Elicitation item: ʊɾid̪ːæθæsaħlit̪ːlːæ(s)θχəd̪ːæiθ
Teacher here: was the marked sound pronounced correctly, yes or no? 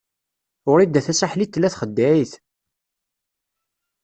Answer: no